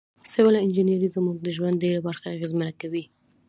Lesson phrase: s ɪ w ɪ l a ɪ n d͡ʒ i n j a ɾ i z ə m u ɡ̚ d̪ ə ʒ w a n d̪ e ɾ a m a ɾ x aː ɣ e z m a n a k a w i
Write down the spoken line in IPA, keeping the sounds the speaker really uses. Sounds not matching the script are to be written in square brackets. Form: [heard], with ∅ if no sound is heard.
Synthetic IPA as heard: s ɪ w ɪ l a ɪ n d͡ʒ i n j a ɾ i z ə m u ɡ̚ d̪ ə ʒ w a n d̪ e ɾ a [b] a ɾ x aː ɣ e z m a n a k a w i